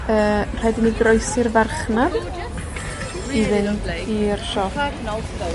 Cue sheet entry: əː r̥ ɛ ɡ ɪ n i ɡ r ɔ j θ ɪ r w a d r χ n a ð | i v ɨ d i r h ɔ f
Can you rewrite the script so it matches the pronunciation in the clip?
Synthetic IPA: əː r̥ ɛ d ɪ n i ɡ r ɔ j s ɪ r v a r χ n a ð | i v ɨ n i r ʃ ɔ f